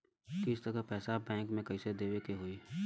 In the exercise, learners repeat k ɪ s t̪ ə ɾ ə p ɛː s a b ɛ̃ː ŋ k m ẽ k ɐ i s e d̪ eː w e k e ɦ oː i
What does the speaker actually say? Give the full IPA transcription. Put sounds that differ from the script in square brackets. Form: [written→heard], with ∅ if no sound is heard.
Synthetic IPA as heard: k ɪ s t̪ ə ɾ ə p ɛː s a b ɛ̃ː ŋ k m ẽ k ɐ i s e d̪ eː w e k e ɦ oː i

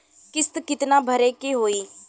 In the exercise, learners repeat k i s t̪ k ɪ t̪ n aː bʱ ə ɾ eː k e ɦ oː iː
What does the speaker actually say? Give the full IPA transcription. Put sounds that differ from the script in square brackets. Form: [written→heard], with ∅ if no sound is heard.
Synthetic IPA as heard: k [i→ɪ] s t̪ k ɪ t̪ n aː bʱ ə ɾ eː k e ɦ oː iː

